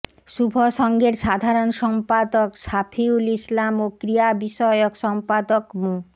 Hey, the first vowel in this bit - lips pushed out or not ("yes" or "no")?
yes